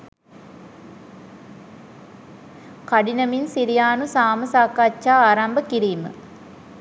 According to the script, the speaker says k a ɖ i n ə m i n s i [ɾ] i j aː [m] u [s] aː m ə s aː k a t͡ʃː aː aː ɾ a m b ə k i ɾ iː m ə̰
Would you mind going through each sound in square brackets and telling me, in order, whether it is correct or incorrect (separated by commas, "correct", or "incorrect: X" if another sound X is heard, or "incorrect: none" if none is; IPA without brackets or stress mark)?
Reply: correct, incorrect: n, correct